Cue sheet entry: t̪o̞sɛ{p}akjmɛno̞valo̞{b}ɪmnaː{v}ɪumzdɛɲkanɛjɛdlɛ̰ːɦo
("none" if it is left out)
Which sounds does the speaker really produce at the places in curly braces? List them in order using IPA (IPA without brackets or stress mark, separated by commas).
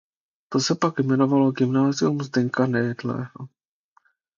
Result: p, ɡ, z